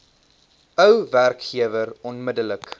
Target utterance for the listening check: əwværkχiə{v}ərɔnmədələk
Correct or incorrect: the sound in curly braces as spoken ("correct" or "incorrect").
correct